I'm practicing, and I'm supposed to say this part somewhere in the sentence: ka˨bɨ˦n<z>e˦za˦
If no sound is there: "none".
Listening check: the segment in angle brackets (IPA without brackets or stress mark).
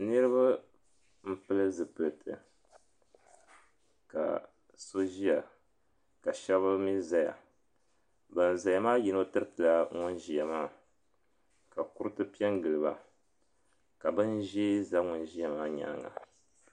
ʒ